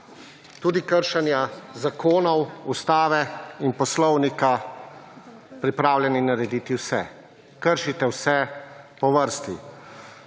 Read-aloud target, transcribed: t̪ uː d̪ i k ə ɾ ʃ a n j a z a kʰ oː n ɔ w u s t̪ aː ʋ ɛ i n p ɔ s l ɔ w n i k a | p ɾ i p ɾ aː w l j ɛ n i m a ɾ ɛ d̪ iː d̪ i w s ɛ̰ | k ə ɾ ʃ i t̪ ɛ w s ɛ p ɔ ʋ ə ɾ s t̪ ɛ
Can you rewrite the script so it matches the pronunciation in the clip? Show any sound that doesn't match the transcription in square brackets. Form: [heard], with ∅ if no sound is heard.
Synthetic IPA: t̪ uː d̪ i k ə ɾ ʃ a n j a z a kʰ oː n ɔ w u s t̪ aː ʋ ɛ i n p ɔ s l ɔ w n i k a | p ɾ i p ɾ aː w l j ɛ n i [n] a ɾ ɛ d̪ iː [t̪] i w s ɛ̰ | k ə ɾ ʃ i t̪ ɛ w s ɛ p ɔ ʋ ə ɾ s t̪ [i]